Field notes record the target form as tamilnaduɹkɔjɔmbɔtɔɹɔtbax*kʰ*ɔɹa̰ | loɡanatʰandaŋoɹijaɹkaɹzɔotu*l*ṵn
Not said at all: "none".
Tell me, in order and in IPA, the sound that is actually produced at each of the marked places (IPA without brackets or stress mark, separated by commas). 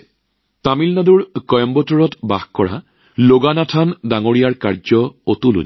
k, l